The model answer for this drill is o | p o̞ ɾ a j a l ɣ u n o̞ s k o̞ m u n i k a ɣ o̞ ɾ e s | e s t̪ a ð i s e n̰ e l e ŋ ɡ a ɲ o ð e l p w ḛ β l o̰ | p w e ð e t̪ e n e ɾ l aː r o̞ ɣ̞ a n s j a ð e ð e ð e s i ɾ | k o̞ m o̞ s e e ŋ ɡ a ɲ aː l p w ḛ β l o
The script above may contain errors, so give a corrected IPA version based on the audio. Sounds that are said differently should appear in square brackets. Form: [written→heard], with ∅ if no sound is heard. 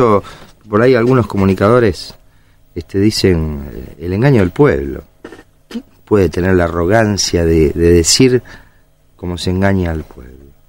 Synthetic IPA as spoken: o | p o̞ ɾ a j a l ɣ u n o̞ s k o̞ m u n i k a [ɣ→ð] o̞ ɾ e s | e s t̪ [a→e] ð i s e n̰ e l e ŋ ɡ a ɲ o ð e l p w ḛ β l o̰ | p w e ð e t̪ e n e ɾ l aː r o̞ ɣ̞ a n s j a ð e ð e ð e s i ɾ | k o̞ m o̞ s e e ŋ ɡ a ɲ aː l p w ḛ β l o